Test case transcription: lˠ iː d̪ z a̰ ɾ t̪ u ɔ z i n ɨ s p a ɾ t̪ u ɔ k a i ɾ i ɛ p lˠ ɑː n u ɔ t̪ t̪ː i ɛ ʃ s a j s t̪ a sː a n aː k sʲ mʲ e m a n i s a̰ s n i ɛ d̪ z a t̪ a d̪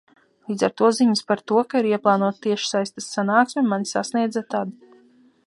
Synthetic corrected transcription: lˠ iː d̪ z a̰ ɾ t̪ u ɔ z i ɲ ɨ s p a ɾ t̪ u ɔ k a i ɾ i ɛ p lˠ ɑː n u ɔ t̪ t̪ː i ɛ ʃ s a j s t̪ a sː a n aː k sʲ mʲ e m a n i s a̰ s n i ɛ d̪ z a t̪ a d̪